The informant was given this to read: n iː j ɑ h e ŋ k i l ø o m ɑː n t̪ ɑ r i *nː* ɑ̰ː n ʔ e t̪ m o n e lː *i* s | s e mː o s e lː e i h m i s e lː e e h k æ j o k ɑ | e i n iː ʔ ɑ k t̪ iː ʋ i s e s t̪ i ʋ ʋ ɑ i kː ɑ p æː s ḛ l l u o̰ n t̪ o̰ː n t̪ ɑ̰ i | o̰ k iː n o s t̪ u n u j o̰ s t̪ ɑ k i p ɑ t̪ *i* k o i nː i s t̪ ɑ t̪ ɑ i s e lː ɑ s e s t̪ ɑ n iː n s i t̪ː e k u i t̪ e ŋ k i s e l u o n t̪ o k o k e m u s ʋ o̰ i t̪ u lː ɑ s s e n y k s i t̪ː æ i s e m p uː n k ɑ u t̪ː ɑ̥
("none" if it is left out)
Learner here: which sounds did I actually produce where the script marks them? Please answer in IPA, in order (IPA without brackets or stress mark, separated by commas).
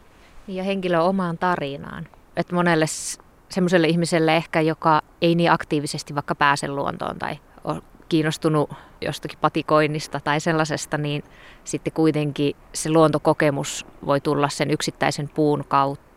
n, e, i